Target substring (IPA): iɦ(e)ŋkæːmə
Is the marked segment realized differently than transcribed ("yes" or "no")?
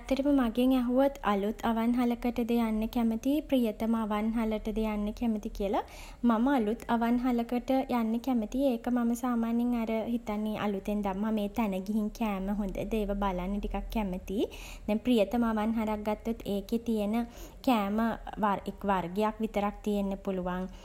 yes